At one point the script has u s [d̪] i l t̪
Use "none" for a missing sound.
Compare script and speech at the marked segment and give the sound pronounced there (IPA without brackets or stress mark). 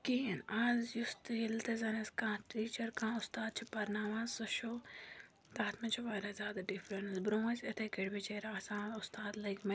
t̪